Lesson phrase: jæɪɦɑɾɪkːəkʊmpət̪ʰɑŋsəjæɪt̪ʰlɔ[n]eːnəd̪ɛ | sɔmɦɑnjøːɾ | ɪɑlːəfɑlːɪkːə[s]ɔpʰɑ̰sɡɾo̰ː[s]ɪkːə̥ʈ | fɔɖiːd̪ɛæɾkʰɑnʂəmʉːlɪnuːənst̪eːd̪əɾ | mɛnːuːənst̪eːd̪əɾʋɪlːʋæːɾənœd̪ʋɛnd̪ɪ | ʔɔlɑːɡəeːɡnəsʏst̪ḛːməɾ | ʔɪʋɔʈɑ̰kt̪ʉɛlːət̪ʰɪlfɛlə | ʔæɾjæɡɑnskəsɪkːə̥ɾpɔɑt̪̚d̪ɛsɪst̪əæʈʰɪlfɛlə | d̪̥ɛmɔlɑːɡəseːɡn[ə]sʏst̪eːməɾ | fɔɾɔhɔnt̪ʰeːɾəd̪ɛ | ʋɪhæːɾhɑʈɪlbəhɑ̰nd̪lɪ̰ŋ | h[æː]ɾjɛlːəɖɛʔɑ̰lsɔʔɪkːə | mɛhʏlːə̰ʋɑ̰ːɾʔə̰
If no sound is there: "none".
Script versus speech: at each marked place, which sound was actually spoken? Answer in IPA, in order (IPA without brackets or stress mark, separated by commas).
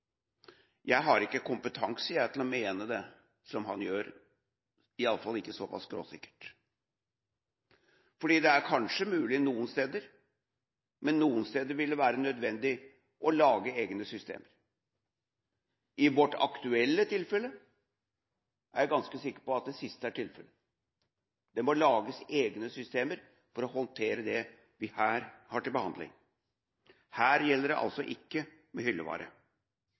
m, s, s, ə, æː